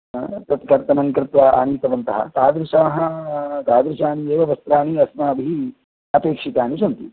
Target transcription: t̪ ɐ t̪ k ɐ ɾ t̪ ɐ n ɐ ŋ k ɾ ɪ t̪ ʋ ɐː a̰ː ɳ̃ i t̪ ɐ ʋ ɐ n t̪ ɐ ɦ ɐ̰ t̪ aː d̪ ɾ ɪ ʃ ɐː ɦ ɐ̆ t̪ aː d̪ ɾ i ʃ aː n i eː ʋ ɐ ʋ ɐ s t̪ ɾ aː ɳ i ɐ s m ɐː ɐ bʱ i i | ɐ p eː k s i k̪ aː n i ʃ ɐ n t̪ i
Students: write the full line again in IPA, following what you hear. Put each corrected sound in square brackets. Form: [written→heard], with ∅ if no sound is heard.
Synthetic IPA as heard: t̪ ɐ t̪ k ɐ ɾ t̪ ɐ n ɐ ŋ k ɾ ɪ t̪ ʋ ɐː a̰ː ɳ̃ i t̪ ɐ ʋ ɐ n t̪ ɐ ɦ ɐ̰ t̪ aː d̪ ɾ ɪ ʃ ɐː ɦ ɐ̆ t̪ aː d̪ ɾ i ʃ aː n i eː ʋ ɐ ʋ ɐ s t̪ ɾ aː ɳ i ɐ s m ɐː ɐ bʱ i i | ɐ p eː k [s→ʂ] i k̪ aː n i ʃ ɐ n t̪ i